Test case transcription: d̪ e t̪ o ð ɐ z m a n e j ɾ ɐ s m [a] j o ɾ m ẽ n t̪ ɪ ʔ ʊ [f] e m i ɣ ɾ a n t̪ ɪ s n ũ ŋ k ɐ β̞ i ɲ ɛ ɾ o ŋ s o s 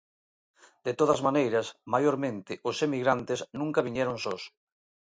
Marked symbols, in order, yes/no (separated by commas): yes, no